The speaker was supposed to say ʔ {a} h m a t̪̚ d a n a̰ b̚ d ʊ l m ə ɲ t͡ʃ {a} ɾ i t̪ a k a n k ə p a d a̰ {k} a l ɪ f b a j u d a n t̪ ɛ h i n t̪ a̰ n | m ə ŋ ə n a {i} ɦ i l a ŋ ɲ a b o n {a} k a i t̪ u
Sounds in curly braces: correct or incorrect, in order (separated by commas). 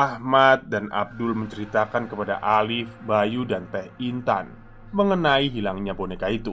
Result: correct, incorrect, incorrect, correct, incorrect